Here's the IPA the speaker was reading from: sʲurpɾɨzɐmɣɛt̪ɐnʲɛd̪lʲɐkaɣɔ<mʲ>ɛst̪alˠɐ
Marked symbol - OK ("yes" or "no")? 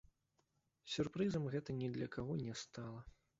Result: no